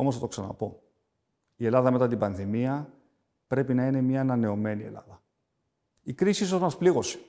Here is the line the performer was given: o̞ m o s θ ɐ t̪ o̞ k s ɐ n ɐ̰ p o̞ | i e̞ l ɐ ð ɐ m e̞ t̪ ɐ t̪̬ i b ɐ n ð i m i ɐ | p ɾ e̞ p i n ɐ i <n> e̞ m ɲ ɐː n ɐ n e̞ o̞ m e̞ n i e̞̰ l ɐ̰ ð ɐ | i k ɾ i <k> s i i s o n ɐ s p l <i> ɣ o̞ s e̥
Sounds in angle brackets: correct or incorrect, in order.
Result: correct, incorrect: none, correct

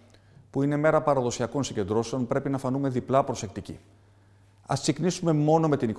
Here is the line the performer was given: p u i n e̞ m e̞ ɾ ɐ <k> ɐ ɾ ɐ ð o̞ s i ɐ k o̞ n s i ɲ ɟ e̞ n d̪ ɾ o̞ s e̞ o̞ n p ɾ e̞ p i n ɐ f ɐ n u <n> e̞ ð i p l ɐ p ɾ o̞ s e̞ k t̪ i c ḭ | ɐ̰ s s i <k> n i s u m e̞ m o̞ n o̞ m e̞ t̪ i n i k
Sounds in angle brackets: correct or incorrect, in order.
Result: incorrect: p, incorrect: m, correct

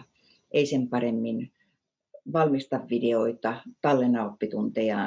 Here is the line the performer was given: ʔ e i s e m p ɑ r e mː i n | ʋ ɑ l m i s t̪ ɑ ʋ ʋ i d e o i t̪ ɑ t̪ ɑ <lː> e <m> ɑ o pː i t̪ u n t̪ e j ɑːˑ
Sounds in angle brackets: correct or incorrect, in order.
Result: correct, incorrect: n

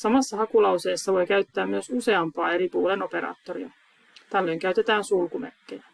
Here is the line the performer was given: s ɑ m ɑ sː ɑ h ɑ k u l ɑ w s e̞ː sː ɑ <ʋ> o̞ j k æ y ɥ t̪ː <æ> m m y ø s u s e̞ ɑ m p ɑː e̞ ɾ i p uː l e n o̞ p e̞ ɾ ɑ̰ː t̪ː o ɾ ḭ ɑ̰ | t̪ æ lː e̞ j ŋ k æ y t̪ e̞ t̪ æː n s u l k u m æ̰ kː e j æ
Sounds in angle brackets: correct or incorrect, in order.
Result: correct, incorrect: æː

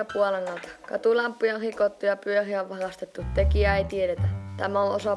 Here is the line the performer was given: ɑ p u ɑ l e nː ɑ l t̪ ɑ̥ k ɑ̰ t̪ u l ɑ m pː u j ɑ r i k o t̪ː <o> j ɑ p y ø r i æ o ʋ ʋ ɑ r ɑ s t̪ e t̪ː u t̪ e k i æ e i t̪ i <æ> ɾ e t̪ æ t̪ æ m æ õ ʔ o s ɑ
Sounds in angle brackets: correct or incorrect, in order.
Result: incorrect: u, incorrect: e

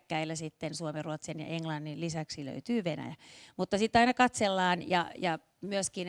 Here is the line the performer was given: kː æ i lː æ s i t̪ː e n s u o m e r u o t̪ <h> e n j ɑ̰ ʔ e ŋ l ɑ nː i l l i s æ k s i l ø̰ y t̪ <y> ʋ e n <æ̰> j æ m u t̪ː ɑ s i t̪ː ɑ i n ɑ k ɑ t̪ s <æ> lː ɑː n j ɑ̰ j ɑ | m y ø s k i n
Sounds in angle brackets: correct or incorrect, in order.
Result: incorrect: s, incorrect: yː, correct, incorrect: e

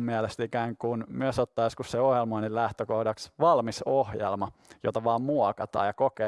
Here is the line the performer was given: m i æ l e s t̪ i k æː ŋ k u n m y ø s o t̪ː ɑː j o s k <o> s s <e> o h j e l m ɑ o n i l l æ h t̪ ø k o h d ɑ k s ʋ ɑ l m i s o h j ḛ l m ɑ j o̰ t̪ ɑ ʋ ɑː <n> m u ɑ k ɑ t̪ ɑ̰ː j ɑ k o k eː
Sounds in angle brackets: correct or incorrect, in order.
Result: incorrect: u, correct, incorrect: m

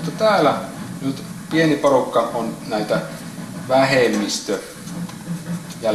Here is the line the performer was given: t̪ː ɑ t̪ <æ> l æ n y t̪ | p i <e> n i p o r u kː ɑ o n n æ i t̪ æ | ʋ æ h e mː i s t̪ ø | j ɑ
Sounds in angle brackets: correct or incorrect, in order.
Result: incorrect: æː, correct

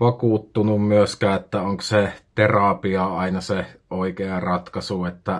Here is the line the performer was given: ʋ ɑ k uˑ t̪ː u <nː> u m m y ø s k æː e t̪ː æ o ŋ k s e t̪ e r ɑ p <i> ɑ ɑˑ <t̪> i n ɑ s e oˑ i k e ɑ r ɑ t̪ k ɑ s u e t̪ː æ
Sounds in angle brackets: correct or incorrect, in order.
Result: incorrect: n, correct, incorrect: none

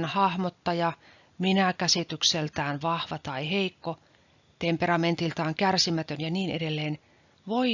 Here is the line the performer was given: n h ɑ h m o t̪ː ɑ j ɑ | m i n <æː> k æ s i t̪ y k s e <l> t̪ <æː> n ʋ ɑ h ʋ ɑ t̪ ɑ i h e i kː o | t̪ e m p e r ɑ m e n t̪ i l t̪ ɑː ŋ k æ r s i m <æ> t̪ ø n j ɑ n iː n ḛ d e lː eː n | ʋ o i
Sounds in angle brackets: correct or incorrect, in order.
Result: incorrect: æ, correct, correct, correct

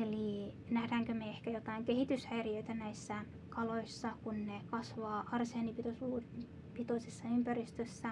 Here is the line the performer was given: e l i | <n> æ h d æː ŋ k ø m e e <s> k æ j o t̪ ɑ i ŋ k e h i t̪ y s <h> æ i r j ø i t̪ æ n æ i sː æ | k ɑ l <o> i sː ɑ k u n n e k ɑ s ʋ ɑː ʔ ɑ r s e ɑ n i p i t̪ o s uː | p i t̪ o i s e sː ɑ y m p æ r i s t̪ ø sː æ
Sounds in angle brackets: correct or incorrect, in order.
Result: correct, incorrect: h, correct, correct

